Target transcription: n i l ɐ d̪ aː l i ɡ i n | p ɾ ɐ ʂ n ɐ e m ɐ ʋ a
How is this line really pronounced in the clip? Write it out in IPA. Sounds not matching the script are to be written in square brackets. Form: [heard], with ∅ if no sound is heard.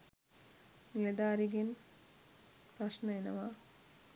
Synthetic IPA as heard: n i l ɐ d̪ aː [ɾ] i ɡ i n | p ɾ ɐ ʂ n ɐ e [n] ɐ ʋ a